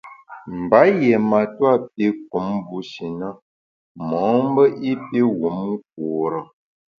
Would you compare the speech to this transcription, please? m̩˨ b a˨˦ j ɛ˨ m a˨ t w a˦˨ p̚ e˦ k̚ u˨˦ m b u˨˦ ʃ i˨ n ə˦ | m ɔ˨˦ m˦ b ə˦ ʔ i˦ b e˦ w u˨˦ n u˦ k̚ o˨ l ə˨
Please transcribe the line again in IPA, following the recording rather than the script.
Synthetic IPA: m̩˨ b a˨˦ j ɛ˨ m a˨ t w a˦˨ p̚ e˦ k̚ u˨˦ m b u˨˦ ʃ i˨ n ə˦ | m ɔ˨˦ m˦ b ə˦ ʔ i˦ p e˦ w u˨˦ m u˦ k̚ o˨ ɾ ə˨